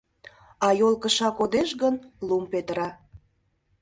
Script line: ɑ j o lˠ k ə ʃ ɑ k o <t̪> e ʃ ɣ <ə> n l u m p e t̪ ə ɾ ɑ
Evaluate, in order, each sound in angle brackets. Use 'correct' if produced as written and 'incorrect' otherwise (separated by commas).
incorrect, correct